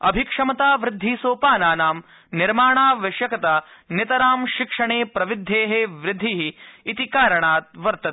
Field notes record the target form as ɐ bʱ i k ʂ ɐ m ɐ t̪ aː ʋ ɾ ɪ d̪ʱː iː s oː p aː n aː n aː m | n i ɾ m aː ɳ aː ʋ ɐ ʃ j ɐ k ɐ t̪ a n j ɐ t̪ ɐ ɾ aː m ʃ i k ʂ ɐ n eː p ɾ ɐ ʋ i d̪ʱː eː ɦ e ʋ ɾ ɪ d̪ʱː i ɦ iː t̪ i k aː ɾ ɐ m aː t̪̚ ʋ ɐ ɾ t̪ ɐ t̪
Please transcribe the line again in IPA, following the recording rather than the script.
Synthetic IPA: ɐ bʱ i k ʂ ɐ m ɐ t̪ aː ʋ ɾ ɪ d̪ʱː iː s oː p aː n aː n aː m | n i ɾ m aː ɳ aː ʋ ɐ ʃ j ɐ k ɐ t̪ a n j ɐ t̪ ɐ ɾ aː m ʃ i k ʂ ɐ ɳ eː p ɾ ɐ ʋ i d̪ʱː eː ɦ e ʋ ɾ ɪ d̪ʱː i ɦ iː t̪ i k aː ɾ ɐ ɳ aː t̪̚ ʋ ɐ ɾ t̪ ɐ t̪